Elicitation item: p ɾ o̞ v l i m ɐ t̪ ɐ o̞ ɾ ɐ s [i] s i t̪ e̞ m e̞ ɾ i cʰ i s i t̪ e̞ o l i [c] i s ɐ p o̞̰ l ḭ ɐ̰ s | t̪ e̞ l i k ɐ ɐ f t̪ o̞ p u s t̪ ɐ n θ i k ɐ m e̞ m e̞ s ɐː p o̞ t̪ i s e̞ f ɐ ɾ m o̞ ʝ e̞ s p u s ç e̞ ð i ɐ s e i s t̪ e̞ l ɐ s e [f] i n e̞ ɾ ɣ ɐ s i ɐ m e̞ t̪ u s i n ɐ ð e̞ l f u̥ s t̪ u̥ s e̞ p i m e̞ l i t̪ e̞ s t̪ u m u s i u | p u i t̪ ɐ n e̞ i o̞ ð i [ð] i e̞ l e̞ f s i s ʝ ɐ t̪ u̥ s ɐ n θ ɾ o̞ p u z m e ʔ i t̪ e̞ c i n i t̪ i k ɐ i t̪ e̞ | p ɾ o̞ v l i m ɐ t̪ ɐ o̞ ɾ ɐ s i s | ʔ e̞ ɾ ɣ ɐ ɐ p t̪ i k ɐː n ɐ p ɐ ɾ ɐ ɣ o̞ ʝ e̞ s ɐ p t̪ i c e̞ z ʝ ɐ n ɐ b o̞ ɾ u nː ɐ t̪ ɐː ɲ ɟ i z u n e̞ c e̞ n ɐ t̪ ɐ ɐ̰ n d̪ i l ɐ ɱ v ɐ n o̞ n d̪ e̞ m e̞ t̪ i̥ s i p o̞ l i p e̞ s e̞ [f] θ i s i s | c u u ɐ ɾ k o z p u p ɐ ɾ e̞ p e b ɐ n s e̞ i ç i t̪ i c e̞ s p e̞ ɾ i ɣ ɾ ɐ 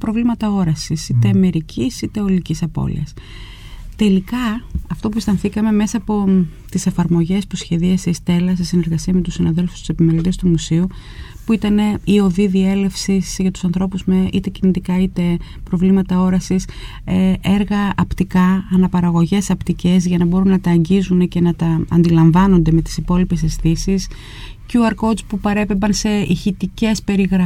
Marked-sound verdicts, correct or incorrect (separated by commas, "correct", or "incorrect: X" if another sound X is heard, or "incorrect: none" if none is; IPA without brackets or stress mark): correct, correct, incorrect: s, correct, incorrect: s